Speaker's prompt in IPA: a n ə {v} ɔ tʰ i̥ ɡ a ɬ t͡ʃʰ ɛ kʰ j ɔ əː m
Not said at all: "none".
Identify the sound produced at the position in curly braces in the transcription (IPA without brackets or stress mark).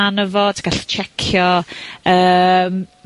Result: v